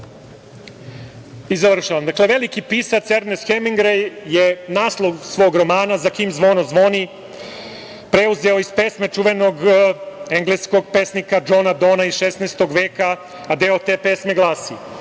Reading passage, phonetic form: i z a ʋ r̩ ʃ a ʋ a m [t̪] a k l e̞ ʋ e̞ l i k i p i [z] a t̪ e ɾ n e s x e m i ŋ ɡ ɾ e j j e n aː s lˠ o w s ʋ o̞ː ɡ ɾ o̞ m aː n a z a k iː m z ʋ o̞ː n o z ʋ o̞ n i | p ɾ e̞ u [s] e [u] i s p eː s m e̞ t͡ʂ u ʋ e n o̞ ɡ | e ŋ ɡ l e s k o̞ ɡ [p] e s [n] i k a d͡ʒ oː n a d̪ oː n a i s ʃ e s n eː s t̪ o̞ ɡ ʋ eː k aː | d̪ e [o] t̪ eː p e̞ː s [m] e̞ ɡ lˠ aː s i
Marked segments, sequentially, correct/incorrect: incorrect: d̪, incorrect: s, incorrect: z, incorrect: o, correct, correct, correct, correct

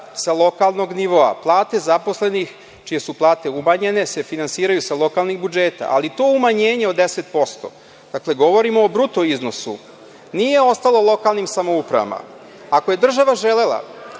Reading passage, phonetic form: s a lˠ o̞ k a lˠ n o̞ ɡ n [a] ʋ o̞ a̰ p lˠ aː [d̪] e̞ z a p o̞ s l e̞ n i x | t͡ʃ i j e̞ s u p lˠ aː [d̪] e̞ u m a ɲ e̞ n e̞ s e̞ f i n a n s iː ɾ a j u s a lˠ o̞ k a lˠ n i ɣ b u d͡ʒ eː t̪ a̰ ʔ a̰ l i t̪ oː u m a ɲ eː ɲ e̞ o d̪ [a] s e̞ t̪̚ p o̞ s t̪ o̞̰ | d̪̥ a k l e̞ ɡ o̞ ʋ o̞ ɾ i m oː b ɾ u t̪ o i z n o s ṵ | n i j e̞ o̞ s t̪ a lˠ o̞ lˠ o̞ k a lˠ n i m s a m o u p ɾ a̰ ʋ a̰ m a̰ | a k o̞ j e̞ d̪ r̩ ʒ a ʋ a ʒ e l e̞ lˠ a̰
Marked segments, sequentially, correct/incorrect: incorrect: i, incorrect: t̪, incorrect: t̪, incorrect: e

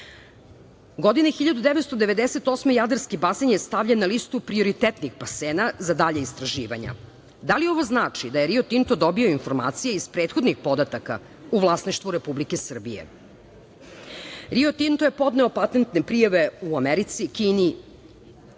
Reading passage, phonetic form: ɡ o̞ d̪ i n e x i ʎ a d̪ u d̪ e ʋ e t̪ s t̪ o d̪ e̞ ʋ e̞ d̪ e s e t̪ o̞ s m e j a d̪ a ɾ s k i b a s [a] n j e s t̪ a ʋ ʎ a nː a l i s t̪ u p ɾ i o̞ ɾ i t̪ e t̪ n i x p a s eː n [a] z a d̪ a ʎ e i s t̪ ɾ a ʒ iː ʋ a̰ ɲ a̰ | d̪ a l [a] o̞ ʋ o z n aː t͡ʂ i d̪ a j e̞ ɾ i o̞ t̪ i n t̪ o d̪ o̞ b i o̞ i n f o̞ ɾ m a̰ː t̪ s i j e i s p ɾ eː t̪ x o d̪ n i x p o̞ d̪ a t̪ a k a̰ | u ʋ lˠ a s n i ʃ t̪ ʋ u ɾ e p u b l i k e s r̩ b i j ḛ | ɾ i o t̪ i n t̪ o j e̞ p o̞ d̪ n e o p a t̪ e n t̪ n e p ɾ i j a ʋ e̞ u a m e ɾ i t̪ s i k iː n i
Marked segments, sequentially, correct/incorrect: incorrect: e, correct, incorrect: i

